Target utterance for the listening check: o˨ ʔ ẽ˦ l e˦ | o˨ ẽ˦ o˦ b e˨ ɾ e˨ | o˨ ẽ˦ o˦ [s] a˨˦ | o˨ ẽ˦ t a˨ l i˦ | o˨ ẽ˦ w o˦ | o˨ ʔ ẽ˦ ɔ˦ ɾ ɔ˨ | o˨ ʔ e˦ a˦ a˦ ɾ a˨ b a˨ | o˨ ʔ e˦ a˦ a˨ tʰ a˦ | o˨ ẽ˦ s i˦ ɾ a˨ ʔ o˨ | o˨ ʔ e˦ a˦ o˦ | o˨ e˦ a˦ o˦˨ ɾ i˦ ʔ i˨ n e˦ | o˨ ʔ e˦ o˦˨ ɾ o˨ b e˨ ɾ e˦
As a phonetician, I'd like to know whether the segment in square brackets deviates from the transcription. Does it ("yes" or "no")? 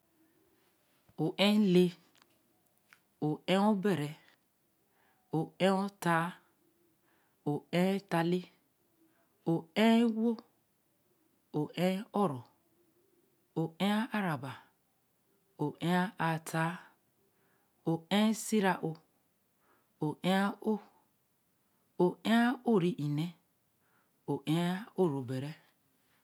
yes